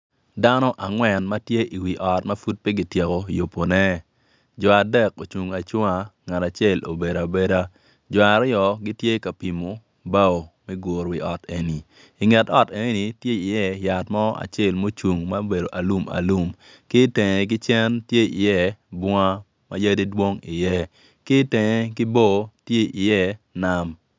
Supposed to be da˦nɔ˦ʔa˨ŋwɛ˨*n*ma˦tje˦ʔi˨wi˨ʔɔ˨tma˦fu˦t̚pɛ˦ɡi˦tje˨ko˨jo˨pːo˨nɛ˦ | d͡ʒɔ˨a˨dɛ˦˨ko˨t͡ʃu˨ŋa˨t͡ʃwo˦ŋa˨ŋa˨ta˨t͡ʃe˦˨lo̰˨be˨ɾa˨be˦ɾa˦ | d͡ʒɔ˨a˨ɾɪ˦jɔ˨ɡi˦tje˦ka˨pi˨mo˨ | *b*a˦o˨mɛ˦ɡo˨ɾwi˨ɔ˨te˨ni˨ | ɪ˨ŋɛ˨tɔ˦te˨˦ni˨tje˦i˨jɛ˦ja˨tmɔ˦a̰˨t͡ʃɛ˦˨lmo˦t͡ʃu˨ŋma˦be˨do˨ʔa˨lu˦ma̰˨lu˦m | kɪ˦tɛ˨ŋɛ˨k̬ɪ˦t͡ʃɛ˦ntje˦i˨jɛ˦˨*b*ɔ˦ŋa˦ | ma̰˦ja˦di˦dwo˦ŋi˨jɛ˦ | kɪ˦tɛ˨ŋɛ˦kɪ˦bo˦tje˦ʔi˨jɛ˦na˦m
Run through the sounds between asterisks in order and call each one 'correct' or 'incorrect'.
correct, correct, correct

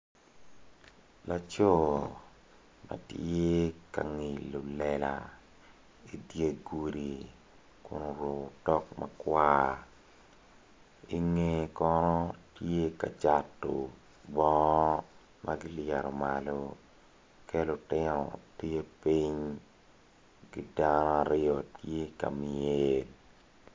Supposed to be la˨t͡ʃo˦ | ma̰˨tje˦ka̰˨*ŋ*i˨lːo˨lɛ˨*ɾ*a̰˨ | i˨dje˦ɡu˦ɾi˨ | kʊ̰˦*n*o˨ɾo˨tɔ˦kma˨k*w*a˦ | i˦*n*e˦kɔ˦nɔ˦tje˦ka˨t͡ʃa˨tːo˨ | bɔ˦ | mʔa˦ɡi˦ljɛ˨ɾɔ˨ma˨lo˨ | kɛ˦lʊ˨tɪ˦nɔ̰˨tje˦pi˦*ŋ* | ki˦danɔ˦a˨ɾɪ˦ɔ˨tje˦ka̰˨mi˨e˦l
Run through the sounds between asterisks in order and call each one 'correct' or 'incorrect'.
correct, incorrect: l, correct, correct, incorrect: ŋ, incorrect: ɲ

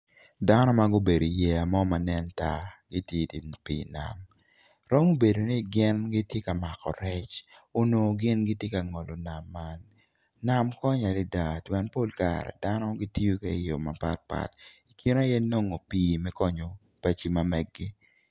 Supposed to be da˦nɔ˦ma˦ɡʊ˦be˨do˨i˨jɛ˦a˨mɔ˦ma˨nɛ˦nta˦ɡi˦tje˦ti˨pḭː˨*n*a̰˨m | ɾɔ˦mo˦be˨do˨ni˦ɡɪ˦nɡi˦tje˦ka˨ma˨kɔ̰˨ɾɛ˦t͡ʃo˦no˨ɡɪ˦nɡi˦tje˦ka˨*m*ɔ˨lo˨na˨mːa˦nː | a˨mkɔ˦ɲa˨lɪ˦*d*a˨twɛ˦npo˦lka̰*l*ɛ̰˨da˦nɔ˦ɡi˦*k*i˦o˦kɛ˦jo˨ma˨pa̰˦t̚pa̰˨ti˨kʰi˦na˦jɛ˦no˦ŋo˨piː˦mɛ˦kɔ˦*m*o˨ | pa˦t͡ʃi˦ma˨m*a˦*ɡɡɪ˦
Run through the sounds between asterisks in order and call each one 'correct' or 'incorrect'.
correct, incorrect: ŋ, correct, incorrect: ɾ, incorrect: t, incorrect: ɲ, incorrect: ɛ˦

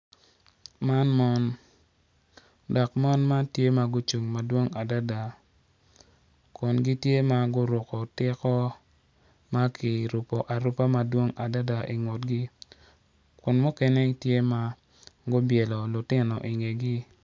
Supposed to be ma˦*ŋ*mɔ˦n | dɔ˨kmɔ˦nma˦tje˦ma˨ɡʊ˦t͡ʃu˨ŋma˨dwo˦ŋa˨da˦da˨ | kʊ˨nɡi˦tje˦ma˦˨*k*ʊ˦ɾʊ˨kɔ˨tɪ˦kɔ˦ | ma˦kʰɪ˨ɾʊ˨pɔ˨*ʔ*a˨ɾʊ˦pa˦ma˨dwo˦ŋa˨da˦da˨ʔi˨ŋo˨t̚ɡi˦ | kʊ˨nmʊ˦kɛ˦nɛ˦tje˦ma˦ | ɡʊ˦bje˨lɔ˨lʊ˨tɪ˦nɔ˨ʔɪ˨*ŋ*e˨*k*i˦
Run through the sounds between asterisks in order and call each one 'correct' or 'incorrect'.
incorrect: n, incorrect: ɡ, correct, correct, incorrect: ɡ

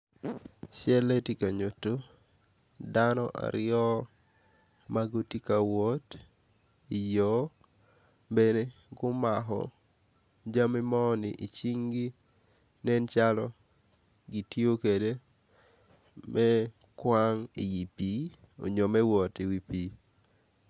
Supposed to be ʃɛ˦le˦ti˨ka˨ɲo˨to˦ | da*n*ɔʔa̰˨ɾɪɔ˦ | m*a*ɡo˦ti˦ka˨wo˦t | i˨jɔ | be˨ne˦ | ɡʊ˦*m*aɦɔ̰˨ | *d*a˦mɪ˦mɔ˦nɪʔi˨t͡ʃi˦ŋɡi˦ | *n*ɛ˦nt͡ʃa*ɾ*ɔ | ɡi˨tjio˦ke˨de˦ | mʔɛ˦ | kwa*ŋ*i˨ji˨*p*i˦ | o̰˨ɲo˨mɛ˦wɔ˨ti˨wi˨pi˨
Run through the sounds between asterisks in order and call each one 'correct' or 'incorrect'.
correct, correct, correct, incorrect: d͡ʒ, correct, incorrect: l, correct, correct

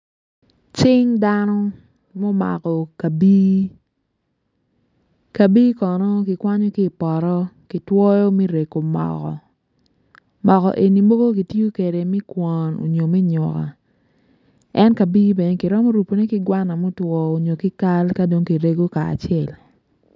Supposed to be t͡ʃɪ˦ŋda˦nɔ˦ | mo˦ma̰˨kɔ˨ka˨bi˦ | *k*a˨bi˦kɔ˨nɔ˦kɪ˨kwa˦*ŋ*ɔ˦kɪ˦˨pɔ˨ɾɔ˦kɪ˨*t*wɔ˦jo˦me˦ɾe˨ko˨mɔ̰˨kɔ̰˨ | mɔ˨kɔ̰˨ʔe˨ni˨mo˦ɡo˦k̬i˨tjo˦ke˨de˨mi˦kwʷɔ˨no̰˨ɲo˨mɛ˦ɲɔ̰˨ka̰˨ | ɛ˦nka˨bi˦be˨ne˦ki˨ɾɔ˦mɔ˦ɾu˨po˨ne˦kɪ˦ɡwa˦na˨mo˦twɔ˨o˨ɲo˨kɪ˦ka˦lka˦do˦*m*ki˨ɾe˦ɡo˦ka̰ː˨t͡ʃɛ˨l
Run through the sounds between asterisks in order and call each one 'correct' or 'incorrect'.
correct, incorrect: ɲ, correct, incorrect: ŋ

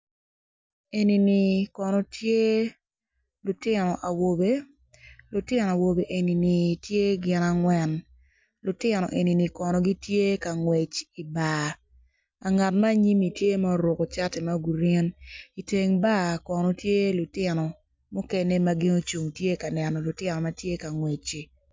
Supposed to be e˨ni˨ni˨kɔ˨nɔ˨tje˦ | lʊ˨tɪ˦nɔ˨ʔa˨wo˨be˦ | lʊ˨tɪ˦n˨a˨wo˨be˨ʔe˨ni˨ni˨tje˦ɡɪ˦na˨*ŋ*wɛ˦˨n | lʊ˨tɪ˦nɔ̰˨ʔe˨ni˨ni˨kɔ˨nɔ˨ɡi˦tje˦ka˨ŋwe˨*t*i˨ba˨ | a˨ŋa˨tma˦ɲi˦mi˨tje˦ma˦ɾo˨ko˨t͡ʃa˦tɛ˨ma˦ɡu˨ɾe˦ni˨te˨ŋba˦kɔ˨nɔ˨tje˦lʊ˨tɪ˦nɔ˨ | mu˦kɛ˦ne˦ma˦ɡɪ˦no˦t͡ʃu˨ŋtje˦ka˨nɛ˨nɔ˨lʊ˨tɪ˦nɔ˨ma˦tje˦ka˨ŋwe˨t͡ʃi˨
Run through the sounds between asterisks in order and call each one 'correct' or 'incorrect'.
correct, incorrect: t͡ʃ

